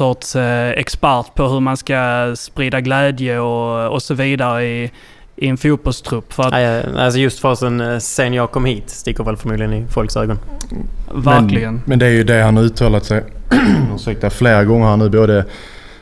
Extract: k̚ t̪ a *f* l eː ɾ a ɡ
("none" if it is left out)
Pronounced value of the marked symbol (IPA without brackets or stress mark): f